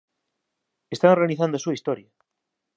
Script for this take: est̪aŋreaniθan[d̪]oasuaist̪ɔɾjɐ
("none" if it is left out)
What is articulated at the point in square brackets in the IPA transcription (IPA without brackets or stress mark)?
d̪